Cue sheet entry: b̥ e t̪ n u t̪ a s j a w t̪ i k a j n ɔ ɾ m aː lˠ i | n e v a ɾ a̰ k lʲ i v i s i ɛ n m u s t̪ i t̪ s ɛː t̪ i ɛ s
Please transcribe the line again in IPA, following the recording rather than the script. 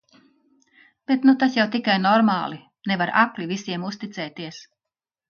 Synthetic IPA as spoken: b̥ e t̪ n u t̪ a s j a w t̪ i k a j n ɔ ɾ m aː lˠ i | n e v a ɾ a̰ k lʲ i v i s i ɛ m u s t̪ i t̪ s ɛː t̪ i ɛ s